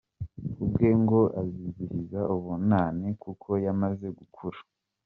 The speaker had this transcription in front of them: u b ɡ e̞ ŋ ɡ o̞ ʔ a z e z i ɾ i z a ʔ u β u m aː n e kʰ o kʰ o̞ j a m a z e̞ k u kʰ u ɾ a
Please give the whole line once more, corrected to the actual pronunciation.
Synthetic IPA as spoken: u b ɡ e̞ ŋ ɡ o̞ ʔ a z i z i ɾ i z a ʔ u β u n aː n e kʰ u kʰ o̞ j a m a z e̞ ɡ u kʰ u ɾ a